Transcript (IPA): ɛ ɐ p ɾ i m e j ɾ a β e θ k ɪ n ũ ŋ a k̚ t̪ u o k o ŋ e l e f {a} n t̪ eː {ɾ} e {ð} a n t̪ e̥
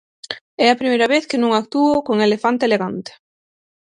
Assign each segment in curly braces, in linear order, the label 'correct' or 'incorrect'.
correct, incorrect, incorrect

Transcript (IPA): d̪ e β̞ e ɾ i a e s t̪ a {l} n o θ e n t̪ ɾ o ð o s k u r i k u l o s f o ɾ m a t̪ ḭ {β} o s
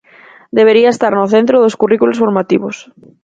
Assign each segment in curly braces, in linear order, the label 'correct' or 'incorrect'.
incorrect, correct

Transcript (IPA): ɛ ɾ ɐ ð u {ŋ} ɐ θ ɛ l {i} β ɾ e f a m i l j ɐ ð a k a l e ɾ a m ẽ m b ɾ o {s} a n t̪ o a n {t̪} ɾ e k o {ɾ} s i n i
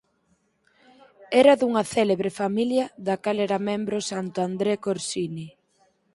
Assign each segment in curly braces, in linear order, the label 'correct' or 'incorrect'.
correct, incorrect, correct, incorrect, correct

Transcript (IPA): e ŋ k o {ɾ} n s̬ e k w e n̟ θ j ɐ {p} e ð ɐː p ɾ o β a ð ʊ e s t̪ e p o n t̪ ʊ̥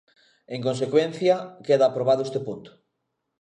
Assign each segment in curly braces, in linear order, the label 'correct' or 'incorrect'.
incorrect, incorrect

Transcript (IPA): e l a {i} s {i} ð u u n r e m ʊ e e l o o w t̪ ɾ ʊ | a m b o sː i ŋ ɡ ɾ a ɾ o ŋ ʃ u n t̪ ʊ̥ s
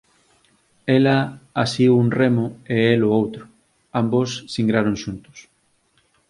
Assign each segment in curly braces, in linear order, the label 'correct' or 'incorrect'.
incorrect, correct

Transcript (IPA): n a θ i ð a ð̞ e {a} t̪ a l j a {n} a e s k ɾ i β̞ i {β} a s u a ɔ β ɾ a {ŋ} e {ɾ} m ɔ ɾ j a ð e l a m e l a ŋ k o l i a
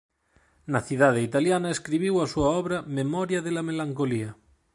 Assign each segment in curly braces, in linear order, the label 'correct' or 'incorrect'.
incorrect, correct, incorrect, incorrect, incorrect

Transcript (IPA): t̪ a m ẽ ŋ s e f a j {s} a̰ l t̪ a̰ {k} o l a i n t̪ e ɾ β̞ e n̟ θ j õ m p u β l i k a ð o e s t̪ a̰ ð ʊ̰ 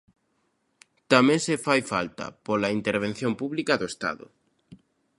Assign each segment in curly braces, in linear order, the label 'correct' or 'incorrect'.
incorrect, incorrect

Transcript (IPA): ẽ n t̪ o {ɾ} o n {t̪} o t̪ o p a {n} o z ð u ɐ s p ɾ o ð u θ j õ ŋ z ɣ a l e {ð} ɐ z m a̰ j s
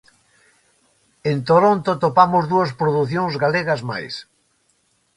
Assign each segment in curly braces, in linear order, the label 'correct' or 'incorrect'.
correct, correct, incorrect, incorrect

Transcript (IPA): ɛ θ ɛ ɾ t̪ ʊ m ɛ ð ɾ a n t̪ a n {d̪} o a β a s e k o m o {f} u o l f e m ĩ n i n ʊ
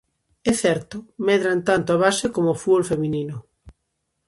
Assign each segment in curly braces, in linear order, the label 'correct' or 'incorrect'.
incorrect, correct

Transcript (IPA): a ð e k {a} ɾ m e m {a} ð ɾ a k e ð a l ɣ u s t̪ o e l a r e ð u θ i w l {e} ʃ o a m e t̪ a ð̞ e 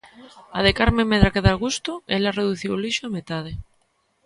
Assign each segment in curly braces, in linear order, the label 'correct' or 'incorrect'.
correct, incorrect, incorrect

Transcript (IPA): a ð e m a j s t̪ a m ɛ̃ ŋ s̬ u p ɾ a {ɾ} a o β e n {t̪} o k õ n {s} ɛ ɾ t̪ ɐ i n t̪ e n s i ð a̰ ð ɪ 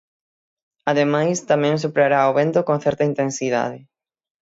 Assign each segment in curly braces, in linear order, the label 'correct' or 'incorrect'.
correct, correct, incorrect

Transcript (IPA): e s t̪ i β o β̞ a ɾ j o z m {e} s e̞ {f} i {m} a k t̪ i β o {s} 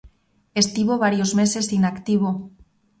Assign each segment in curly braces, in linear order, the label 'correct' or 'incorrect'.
correct, incorrect, incorrect, incorrect

